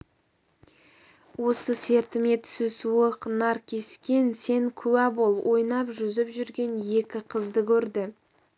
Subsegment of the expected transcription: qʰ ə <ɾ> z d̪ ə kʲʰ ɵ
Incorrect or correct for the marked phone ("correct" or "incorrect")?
incorrect